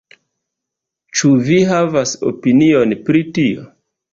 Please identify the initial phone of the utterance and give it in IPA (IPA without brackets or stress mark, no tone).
t͡ʃ